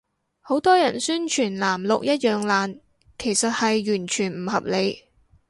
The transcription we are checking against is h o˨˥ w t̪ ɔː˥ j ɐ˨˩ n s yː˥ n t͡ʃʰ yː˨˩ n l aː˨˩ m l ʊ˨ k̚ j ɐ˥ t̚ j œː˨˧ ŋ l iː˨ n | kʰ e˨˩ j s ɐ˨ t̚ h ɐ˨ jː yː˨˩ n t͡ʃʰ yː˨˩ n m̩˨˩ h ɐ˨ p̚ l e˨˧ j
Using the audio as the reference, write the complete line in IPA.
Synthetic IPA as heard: h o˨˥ w t̪ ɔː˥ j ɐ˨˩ n s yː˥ n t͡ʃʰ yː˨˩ n l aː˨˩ m l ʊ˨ k̚ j ɐ˥ t̚ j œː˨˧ ŋ l aː˨ n | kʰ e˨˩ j s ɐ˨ t̚ h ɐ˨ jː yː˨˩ n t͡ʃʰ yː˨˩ n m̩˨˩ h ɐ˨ p̚ l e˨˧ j